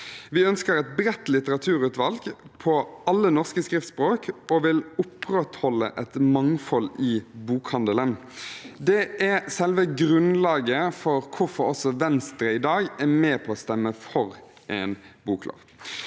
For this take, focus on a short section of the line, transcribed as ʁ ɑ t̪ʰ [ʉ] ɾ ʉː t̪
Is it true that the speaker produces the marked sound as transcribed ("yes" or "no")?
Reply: no